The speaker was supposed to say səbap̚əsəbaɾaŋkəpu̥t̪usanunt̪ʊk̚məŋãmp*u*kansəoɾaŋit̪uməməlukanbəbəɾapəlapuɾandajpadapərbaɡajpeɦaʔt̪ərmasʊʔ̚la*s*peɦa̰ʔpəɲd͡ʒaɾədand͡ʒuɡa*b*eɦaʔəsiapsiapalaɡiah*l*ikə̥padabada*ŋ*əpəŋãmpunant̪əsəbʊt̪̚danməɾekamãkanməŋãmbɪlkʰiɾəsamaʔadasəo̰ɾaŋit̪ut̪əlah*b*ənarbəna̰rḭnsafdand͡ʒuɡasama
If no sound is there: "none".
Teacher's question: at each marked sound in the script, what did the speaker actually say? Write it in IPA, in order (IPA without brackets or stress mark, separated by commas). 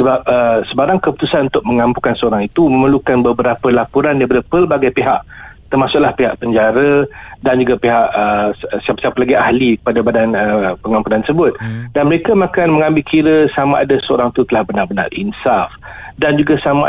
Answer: u, h, p, l, n, b